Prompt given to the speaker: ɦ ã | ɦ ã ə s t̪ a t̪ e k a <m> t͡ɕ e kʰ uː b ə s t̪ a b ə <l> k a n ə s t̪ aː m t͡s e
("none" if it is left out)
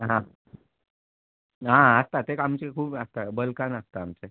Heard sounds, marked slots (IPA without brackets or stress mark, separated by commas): m, l